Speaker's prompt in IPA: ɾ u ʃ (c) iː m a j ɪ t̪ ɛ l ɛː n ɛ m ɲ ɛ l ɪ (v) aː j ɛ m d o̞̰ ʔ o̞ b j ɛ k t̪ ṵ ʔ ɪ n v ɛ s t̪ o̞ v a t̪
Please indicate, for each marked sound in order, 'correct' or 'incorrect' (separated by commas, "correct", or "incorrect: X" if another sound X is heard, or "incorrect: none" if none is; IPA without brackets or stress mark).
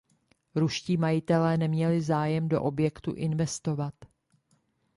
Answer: correct, incorrect: z